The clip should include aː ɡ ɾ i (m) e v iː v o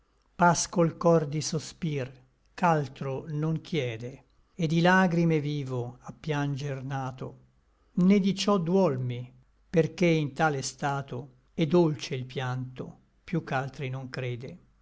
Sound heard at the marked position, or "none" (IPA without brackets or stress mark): m